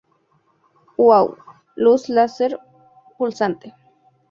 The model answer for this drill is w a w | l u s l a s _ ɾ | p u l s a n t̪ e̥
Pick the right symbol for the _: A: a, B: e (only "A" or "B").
B